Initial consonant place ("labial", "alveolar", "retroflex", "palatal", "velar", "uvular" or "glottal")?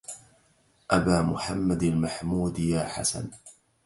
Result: glottal